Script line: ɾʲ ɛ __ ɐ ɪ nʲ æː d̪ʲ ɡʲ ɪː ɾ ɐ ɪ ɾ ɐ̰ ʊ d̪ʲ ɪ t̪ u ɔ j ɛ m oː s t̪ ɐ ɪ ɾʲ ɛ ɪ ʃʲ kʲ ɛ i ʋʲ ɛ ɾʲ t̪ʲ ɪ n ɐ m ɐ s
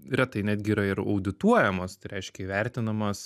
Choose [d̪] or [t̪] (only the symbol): t̪